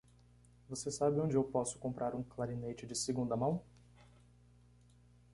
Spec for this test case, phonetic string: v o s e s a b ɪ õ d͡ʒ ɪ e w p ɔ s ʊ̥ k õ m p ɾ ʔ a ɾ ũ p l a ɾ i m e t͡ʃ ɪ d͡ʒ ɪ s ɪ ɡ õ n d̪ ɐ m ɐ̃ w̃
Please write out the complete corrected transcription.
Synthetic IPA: v o s e s a b ɪ õ d͡ʒ ɪ e w p ɔ s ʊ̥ k õ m p ɾ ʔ a ɾ ũ k l a ɾ i n e t͡ʃ ɪ d͡ʒ ɪ s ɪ ɡ ũ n d̪ ɐ m ɐ̃ w̃